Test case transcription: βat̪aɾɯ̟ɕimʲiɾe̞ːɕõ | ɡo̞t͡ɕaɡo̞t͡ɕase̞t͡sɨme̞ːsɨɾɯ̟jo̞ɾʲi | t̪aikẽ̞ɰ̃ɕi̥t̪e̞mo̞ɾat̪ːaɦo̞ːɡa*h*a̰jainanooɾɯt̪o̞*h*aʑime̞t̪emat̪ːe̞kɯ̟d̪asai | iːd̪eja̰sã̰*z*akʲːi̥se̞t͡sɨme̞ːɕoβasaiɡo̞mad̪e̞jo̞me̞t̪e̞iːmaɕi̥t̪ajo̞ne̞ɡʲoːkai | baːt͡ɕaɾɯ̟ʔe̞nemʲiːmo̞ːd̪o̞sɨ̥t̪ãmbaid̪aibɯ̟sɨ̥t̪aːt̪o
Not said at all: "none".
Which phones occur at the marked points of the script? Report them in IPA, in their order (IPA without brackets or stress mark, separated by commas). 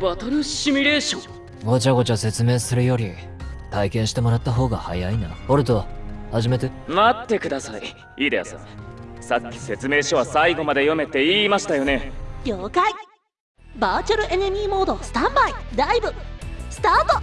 h, h, s